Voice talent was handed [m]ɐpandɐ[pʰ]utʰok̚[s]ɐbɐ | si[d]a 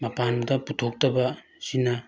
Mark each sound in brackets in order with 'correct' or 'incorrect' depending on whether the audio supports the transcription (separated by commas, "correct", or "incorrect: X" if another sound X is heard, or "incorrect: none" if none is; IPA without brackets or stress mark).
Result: correct, incorrect: p, incorrect: t, incorrect: n